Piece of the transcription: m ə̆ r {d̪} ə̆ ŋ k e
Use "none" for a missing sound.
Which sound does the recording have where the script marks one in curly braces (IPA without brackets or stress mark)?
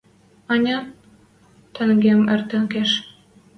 t̪